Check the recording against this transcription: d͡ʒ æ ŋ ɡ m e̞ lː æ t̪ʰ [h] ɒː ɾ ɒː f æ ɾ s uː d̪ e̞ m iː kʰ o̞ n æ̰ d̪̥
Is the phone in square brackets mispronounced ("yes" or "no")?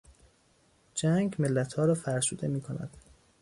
no